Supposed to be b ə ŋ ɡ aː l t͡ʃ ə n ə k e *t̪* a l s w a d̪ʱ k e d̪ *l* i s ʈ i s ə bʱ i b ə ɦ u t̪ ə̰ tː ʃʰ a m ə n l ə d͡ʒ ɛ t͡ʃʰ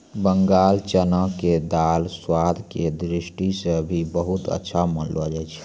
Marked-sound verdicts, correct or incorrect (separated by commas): incorrect, incorrect